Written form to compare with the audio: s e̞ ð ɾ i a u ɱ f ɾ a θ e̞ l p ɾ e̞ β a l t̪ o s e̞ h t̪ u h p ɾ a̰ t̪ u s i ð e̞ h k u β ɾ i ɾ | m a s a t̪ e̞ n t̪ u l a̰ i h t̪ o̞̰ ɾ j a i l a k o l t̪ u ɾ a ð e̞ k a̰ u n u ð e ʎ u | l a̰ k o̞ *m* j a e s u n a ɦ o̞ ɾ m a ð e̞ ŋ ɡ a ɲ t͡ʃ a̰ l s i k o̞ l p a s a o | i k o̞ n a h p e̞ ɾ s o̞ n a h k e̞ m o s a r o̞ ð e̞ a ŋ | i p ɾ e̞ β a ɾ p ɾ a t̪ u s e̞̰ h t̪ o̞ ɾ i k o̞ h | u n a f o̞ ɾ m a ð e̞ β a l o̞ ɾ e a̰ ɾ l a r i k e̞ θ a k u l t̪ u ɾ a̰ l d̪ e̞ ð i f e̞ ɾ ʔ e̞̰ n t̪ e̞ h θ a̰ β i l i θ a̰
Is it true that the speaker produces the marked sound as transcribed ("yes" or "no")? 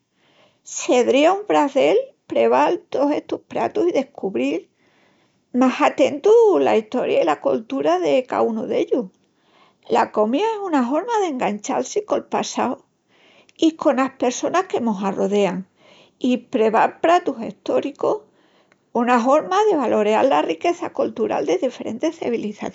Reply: yes